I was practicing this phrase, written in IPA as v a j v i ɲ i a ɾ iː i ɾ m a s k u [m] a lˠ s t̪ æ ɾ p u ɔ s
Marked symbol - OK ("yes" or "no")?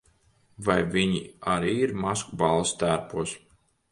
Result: no